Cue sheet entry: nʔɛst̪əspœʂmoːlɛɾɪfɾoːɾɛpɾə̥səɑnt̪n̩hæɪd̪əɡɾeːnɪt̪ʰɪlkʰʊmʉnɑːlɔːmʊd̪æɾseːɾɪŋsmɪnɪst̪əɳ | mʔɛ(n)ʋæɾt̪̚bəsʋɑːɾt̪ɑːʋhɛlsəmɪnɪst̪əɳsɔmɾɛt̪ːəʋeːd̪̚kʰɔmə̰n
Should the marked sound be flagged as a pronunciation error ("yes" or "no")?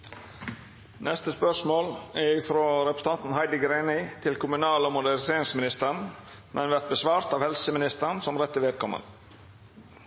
no